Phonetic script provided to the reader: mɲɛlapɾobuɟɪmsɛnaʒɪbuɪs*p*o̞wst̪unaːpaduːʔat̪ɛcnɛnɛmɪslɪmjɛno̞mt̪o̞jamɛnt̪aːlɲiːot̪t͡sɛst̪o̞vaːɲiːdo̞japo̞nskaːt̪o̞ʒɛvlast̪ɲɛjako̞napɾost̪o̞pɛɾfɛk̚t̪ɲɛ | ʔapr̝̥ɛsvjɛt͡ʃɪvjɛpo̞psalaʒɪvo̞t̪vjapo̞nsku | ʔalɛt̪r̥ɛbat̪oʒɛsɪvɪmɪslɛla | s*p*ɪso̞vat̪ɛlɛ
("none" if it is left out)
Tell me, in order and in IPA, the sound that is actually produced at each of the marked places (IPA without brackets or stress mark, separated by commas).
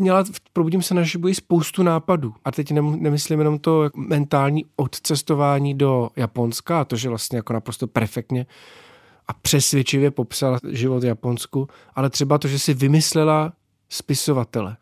p, p